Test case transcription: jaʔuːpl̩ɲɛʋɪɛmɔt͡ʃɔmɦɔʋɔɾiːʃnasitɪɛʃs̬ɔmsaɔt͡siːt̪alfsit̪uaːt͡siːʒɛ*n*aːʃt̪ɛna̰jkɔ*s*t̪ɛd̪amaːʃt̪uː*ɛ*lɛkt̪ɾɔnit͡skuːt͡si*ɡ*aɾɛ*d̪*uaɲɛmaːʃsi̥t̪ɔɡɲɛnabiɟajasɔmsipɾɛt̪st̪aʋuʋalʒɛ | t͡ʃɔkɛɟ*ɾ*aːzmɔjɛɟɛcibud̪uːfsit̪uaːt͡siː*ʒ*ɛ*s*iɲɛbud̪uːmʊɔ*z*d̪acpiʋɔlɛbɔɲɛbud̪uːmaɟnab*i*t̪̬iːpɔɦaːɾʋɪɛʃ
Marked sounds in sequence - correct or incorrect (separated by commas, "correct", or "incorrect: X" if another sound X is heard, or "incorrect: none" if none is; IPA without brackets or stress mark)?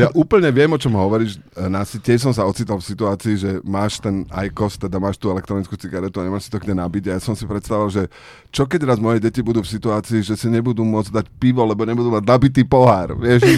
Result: incorrect: m, correct, correct, correct, incorrect: t̪, correct, correct, correct, incorrect: d͡z, correct